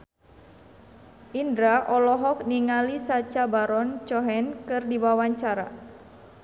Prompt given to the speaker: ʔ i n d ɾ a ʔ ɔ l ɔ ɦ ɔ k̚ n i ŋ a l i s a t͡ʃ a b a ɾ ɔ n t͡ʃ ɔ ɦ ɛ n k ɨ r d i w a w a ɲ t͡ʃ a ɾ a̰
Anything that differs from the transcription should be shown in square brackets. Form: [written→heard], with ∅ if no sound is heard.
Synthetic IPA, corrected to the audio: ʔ i n d ɾ a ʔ ɔ l ɔ ɦ ɔ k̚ n i ŋ a l i s a t͡ʃ a b a ɾ ɔ n t͡ʃ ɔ ɦ ɛ n k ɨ r d i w a w a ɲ t͡ʃ a ɾ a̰